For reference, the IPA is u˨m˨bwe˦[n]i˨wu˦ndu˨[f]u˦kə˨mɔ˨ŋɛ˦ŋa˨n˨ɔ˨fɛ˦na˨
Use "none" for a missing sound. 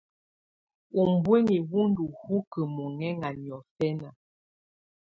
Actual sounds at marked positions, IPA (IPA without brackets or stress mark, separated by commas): ŋ, h